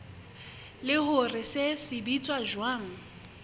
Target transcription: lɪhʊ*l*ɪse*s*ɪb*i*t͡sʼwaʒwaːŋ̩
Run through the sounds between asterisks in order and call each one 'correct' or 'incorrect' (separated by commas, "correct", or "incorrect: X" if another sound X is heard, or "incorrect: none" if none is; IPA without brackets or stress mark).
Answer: incorrect: r, correct, correct